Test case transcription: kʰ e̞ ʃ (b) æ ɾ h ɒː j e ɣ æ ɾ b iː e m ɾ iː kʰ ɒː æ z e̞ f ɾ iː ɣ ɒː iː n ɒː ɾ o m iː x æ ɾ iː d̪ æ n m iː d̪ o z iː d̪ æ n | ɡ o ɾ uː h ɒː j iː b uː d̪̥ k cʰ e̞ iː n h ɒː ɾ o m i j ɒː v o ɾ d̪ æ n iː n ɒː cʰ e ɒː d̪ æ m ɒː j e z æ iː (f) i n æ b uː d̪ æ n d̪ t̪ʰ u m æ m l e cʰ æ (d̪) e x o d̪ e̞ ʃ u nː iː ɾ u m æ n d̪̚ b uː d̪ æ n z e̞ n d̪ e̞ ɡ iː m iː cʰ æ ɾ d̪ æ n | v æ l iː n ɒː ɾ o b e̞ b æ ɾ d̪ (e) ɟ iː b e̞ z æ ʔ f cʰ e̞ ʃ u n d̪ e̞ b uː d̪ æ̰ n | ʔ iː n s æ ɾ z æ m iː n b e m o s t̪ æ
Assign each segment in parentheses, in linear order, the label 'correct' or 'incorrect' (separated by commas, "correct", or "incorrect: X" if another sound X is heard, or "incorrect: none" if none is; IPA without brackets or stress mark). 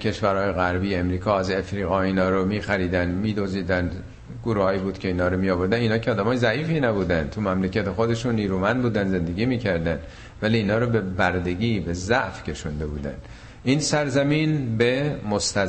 incorrect: v, correct, incorrect: t̪, correct